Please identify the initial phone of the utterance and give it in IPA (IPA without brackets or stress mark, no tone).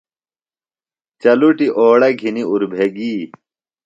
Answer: t͡ɕ